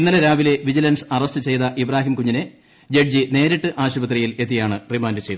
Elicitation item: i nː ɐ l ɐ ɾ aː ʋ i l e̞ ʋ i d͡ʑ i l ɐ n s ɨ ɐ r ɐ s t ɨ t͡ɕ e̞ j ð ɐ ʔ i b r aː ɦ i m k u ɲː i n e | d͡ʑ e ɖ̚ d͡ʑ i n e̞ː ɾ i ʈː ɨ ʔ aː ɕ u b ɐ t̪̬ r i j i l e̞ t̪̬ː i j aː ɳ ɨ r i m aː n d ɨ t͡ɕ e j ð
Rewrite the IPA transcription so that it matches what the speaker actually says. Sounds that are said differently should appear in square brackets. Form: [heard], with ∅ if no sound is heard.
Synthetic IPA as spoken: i nː ɐ l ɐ ɾ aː ʋ i l e̞ ʋ i d͡ʑ i l ɐ n s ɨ ɐ r ɐ s t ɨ t͡ɕ e̞ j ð ɐ ʔ i b r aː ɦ i m k u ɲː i n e | d͡ʑ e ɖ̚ d͡ʑ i n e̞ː ɾ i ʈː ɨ ʔ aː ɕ u b ɐ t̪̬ r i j i l e̞ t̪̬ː i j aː ɳ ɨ r i m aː n d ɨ t͡ɕ e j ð